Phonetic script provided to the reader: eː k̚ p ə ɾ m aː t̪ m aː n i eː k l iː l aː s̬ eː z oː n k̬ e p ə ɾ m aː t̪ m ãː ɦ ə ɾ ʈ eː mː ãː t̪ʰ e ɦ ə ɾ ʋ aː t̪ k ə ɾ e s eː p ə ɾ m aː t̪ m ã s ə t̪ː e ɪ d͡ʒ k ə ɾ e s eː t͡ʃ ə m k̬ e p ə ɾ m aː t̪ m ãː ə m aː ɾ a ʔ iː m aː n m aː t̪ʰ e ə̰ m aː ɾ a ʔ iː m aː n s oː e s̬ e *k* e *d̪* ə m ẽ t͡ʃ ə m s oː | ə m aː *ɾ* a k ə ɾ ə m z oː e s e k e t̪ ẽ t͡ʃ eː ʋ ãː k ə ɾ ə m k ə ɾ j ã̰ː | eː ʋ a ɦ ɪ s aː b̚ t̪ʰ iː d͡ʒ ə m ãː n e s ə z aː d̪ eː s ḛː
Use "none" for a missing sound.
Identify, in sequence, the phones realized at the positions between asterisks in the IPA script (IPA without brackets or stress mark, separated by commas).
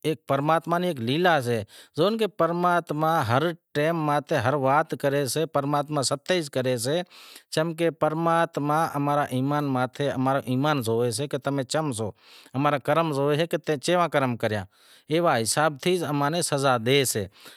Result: k, t̪, ɾ